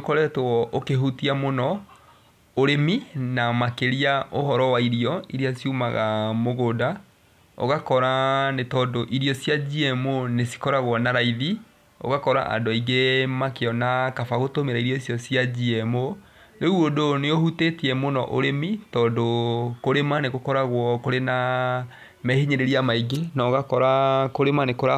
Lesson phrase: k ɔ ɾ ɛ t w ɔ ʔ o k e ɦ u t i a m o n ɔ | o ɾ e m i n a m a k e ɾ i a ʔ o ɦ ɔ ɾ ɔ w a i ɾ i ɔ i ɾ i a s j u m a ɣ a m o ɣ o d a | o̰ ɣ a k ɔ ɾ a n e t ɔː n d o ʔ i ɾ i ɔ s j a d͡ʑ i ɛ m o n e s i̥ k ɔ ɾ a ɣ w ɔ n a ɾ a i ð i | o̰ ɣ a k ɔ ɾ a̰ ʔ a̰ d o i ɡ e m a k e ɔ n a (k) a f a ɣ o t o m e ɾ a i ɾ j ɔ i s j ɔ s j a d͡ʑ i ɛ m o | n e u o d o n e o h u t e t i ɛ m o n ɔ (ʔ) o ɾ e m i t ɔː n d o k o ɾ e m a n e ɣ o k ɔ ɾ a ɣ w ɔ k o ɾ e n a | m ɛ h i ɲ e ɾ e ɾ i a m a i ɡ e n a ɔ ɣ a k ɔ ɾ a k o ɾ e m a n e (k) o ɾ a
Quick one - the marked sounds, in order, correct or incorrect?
correct, correct, correct

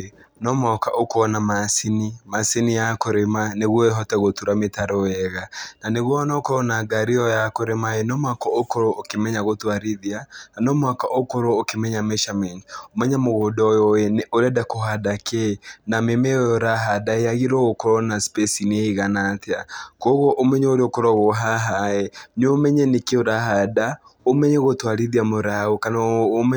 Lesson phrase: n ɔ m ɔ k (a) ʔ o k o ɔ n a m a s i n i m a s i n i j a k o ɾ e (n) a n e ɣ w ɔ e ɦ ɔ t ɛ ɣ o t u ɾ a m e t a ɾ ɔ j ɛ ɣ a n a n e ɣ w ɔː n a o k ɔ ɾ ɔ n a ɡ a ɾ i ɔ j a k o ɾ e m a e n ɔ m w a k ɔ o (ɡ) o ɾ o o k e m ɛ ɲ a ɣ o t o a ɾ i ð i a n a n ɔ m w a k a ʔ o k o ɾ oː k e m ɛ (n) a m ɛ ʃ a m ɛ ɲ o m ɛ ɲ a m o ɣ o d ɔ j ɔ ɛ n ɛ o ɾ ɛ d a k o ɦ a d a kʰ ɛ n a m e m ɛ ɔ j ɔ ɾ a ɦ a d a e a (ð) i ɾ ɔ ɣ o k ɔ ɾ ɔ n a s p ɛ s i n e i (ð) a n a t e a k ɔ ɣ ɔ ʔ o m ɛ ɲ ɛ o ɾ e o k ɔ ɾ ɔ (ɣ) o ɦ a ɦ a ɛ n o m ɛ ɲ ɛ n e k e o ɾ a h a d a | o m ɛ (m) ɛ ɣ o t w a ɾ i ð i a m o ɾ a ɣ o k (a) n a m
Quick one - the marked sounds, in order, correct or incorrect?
correct, incorrect: m, incorrect: k, incorrect: ɲ, incorrect: ɣ, incorrect: ɣ, correct, incorrect: ɲ, correct

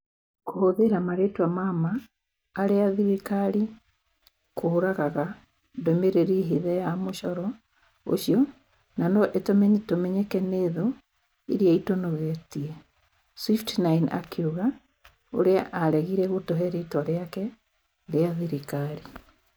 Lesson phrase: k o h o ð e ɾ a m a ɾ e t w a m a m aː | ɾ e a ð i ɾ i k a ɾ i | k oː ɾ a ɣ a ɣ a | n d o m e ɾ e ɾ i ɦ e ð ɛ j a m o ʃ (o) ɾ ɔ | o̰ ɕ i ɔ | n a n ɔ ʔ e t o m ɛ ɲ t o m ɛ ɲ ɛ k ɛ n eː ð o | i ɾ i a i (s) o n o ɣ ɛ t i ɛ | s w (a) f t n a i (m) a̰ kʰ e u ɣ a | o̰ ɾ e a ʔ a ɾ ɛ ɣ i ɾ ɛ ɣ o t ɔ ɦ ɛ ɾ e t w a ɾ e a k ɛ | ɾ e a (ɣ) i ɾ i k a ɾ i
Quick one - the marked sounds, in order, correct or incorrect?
incorrect: ɔ, incorrect: t, incorrect: i, incorrect: n, incorrect: ð

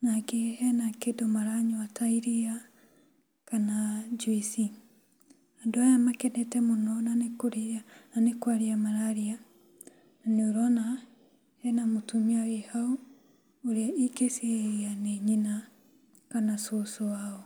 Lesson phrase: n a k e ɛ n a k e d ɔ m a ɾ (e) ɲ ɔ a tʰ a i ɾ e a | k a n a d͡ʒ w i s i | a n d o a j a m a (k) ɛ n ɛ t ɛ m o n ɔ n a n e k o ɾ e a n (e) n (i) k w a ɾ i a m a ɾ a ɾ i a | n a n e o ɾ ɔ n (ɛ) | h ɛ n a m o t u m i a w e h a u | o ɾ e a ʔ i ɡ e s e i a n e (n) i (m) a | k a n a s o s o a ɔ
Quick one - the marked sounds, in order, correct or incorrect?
incorrect: a, correct, incorrect: a, incorrect: e, incorrect: a, incorrect: ɲ, incorrect: n

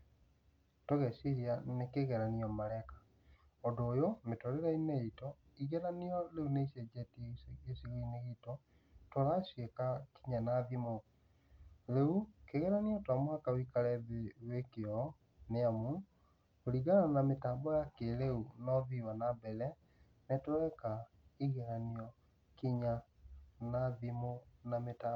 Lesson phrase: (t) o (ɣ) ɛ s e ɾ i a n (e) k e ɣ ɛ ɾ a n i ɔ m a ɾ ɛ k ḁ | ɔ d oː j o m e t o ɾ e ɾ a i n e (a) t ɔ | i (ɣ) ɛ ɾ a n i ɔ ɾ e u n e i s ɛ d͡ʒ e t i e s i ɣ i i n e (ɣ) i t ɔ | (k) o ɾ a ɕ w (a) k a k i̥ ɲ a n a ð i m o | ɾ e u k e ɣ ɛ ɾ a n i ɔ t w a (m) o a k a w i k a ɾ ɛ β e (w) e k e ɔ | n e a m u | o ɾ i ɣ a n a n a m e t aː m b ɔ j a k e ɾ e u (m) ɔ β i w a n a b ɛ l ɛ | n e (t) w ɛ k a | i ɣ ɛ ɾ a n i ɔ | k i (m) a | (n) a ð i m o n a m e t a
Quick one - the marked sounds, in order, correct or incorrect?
correct, correct, correct, incorrect: i, correct, correct, incorrect: t, incorrect: e, correct, correct, incorrect: n, correct, incorrect: ɲ, correct

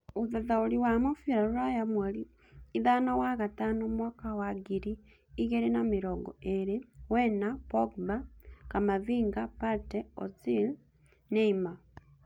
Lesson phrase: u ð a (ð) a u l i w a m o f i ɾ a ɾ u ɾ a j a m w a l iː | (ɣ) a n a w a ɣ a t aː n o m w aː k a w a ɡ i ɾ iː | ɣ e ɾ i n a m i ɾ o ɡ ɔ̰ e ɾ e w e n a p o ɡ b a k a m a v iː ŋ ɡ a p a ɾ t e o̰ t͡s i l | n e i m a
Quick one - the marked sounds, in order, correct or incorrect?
correct, incorrect: ð

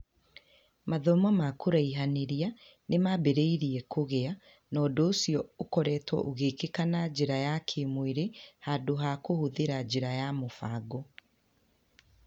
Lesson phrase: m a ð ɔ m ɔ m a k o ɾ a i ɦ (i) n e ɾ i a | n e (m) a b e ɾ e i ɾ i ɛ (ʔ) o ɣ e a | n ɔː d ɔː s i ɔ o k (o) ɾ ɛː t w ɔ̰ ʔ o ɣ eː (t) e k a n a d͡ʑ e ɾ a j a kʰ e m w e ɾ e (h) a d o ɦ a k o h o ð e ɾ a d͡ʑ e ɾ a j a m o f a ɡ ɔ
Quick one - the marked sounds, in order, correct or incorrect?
incorrect: a, correct, incorrect: k, incorrect: ɔ, incorrect: k, correct

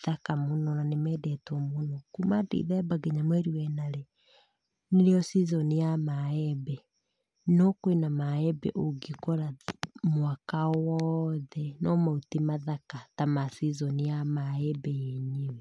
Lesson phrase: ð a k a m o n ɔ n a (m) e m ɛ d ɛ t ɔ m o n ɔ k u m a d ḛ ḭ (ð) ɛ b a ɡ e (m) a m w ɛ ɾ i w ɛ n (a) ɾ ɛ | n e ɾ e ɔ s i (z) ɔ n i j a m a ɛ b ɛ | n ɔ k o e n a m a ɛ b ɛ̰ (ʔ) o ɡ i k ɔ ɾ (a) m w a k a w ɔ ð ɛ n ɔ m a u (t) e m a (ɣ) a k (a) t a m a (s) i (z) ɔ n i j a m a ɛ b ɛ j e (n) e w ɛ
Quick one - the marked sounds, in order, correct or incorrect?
incorrect: n, correct, incorrect: ɲ, correct, correct, correct, correct, correct, incorrect: ð, correct, correct, correct, incorrect: ɲ

